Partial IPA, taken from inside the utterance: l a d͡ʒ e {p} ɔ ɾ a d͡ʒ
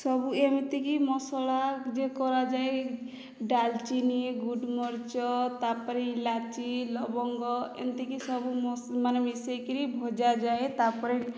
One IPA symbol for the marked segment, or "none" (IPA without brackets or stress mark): k